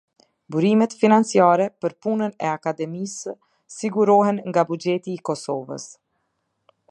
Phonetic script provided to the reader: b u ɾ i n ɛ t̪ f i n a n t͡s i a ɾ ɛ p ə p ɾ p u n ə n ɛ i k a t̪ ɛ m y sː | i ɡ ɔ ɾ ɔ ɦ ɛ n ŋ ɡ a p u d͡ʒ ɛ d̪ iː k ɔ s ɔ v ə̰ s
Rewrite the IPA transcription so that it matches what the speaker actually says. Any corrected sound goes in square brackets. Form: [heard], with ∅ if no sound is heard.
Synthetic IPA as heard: b u ɾ i [m] ɛ t̪ f i n a n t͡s i a ɾ ɛ p ə [∅] ɾ p u n ə n ɛ [a] k a [d̪] ɛ m [i] sː | i ɡ [u] ɾ ɔ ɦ ɛ n ŋ ɡ a [b] u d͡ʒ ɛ [t̪] iː k ɔ s ɔ v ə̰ s